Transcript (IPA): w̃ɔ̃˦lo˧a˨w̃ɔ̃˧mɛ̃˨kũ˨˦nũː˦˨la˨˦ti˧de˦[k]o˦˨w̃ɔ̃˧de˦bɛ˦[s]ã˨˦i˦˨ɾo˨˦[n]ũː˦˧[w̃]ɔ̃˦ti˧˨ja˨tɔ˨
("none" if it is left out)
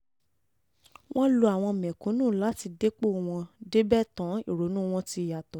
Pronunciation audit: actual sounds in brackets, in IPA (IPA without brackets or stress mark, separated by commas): k͡p, t, n, w̃